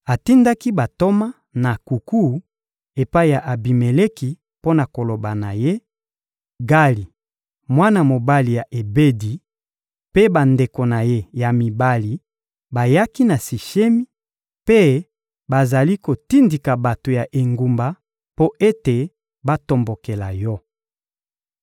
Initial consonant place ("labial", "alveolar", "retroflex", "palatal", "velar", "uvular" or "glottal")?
alveolar